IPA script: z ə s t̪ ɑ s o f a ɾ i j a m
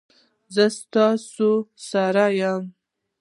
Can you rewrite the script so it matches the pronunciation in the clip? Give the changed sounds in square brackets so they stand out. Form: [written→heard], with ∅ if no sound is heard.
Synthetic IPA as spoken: z ə s t̪ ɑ s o [f→s] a ɾ [i→a] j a m